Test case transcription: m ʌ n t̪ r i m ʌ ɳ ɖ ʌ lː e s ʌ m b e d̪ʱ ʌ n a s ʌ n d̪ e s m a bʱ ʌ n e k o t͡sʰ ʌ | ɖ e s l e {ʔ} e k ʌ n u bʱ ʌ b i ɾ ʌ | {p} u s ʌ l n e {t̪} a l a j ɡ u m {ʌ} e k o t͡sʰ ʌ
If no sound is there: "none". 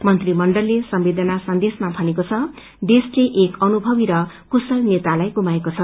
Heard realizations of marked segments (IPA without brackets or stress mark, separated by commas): ʔ, k, t̪, a